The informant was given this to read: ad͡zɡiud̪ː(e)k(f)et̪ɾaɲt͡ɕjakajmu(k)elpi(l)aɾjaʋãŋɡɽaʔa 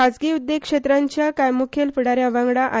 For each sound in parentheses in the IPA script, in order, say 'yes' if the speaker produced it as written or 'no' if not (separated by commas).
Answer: yes, no, no, no